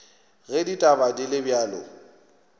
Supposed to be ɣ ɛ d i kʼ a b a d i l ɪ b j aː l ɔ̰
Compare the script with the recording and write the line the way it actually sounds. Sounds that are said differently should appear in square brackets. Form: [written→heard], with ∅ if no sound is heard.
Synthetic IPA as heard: ɣ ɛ d i [kʼ→tʼ] a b a d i l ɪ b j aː l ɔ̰